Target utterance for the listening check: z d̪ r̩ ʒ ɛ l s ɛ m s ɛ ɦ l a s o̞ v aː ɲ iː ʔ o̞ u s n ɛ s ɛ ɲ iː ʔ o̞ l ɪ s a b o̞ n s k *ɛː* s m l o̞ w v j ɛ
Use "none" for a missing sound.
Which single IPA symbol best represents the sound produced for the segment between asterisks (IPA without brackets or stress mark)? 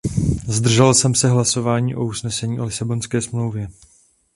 ɛː